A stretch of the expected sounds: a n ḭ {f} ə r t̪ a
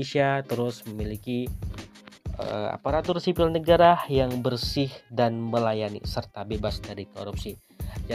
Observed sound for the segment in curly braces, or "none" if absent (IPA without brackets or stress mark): s